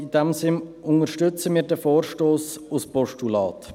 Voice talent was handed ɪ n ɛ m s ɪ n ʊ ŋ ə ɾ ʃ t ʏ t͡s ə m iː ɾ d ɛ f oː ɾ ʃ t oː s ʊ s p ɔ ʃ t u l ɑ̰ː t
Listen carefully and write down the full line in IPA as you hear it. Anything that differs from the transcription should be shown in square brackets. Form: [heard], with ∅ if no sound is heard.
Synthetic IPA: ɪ [d] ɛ m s ɪ n ʊ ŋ ə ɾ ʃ t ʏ t͡s ə m iː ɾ d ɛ f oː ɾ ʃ t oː s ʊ s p ɔ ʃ t u l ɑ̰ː t